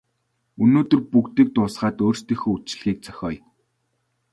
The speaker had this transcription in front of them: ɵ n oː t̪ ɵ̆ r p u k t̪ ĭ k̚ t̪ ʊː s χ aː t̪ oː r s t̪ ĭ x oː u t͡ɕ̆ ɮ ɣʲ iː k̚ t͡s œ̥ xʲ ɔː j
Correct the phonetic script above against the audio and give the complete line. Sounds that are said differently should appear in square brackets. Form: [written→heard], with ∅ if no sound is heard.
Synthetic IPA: ɵ n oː t̪ ɵ̆ r p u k t̪ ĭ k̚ t̪ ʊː s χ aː t̪ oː r s t̪ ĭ x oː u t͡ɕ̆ ɮ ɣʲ iː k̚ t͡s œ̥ xʲ ɔː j

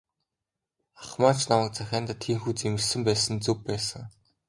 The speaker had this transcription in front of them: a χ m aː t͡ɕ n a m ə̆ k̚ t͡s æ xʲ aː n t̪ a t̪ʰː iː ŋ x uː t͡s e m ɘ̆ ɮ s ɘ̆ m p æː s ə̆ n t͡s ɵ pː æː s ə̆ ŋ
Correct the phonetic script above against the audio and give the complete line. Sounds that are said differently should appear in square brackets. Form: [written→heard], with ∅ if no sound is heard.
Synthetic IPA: a χ m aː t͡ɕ n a m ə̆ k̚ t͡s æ xʲ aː n t̪ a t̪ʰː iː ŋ x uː t͡s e m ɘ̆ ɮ s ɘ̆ m p æː s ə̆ n t͡s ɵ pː æː s ə̆ ŋ

